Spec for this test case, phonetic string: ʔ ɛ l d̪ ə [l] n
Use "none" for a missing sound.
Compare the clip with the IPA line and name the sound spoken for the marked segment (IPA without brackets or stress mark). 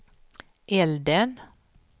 none